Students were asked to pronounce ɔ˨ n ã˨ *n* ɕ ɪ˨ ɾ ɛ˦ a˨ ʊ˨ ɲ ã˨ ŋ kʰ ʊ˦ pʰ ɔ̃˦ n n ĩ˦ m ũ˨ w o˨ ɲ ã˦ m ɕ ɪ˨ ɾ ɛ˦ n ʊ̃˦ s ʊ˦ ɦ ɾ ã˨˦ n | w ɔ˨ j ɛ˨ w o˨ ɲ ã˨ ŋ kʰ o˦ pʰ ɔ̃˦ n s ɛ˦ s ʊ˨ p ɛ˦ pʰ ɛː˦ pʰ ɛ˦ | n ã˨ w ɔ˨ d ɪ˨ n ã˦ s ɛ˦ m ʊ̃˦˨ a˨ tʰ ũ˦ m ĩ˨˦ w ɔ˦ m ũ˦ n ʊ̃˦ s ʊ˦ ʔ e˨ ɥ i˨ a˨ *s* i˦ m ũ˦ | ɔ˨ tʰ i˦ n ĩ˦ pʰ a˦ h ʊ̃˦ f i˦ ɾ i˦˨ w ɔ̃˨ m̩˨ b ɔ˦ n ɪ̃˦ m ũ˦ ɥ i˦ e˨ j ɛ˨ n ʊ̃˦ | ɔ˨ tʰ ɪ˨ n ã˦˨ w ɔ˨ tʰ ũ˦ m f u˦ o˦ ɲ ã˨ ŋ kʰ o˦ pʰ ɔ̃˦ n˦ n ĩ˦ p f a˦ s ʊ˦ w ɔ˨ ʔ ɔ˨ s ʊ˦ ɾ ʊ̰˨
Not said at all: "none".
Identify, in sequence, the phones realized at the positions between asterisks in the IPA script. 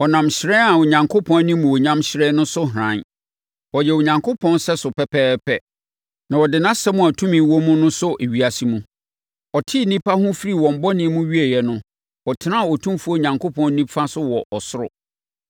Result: m, s

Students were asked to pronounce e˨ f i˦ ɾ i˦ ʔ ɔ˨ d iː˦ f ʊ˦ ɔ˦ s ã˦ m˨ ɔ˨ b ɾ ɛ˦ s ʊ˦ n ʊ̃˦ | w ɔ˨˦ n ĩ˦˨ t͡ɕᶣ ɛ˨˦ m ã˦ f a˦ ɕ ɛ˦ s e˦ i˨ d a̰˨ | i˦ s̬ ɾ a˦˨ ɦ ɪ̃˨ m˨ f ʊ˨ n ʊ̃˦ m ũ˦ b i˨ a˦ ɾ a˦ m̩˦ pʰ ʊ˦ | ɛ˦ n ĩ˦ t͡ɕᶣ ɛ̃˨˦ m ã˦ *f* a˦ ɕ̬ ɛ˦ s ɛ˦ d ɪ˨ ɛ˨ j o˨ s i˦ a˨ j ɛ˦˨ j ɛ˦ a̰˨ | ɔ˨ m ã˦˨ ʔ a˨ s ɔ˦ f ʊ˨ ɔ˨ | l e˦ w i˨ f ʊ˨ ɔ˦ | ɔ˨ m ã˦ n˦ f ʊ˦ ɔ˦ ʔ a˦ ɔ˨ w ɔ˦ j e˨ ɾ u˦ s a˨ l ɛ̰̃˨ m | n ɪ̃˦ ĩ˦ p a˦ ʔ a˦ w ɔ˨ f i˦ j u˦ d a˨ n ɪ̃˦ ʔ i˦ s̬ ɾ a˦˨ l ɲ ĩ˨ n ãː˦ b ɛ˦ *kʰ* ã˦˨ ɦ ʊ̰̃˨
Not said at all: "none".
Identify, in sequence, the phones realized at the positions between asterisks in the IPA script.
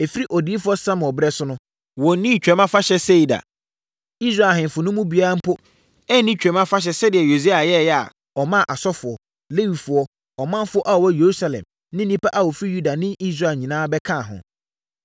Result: f, kʰ

